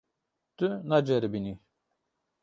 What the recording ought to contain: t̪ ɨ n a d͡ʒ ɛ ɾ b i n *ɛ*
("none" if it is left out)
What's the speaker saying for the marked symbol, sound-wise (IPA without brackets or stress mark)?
i